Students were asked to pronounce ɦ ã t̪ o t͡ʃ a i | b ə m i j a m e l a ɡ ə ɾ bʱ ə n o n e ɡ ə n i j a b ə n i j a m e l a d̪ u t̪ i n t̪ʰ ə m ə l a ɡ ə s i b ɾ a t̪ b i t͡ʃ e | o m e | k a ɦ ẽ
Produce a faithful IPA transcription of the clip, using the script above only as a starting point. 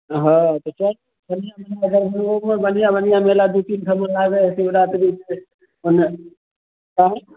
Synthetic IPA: ɦ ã t̪ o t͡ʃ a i | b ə n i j a m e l a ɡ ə ɾ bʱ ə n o m e b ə n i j a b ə n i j a m e l a d̪ u t̪ i n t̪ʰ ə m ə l a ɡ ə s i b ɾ a t̪ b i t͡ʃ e | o n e | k a ɦ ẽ